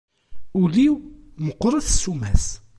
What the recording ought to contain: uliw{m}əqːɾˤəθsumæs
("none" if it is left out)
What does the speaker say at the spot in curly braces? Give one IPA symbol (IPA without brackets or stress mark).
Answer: m